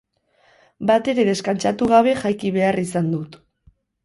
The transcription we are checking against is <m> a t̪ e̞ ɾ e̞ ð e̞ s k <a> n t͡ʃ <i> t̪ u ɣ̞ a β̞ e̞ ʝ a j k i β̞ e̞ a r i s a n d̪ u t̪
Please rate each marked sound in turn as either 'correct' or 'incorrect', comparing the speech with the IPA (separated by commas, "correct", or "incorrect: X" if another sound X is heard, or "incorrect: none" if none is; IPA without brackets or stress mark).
incorrect: b, correct, incorrect: a